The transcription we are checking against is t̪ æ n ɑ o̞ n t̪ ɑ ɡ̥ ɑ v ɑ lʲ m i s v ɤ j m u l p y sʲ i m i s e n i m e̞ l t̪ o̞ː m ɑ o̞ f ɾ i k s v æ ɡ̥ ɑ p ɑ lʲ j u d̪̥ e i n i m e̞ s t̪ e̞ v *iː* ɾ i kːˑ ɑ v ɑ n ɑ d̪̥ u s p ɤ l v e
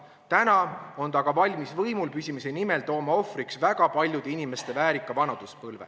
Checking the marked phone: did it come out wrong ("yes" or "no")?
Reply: yes